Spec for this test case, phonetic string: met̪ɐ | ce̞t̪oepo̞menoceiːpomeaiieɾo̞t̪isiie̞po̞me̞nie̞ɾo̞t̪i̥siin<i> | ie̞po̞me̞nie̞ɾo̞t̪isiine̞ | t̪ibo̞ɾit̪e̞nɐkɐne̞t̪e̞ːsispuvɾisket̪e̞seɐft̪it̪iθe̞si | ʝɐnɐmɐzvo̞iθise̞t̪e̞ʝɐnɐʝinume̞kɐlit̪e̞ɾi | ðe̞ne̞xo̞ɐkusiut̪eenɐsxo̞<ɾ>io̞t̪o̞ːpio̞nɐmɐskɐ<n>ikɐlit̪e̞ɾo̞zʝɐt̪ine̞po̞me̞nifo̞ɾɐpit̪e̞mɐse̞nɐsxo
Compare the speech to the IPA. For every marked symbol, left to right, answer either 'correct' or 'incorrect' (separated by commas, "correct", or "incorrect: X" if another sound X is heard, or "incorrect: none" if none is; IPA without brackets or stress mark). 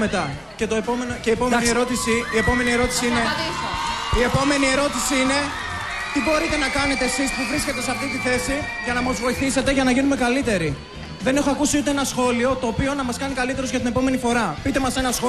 incorrect: e, incorrect: l, correct